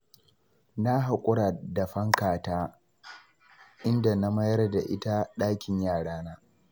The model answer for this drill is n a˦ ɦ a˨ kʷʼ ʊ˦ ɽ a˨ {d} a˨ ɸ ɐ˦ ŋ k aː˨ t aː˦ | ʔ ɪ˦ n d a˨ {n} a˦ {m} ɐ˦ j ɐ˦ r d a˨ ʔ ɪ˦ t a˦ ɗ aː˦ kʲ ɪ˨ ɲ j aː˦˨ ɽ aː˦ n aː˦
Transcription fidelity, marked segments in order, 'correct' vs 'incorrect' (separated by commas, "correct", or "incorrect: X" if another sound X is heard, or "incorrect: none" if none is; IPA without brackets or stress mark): correct, correct, correct